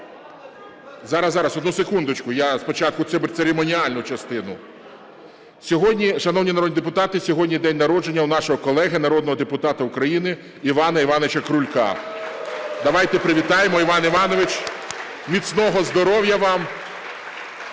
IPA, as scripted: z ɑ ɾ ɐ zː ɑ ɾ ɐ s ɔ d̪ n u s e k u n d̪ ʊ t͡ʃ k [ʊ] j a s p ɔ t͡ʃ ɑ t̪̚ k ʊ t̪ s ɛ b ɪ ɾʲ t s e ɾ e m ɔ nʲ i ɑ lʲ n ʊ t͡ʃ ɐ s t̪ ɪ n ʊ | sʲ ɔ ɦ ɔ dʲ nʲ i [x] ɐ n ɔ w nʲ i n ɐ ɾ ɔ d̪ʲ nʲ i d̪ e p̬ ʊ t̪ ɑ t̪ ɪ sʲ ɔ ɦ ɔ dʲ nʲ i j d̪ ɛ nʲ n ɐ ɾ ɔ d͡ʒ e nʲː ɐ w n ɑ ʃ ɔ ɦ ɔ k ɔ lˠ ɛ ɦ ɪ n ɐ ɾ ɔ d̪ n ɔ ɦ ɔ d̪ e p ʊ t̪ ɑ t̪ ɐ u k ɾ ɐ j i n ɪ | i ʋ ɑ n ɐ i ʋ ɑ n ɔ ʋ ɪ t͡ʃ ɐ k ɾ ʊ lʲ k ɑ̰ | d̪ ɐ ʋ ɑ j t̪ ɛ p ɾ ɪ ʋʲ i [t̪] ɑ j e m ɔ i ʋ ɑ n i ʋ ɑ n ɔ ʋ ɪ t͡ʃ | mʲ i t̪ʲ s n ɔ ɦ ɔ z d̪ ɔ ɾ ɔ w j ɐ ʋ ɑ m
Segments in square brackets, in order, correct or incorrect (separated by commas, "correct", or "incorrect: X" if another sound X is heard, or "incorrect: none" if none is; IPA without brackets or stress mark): correct, incorrect: ʃ, correct